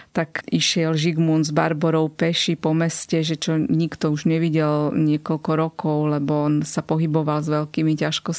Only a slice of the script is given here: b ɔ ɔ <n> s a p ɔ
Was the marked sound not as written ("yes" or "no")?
no